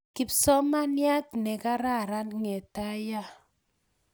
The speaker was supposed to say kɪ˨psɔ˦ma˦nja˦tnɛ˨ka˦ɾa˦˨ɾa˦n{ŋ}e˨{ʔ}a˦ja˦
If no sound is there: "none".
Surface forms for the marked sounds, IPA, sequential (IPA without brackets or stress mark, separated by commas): ŋ, t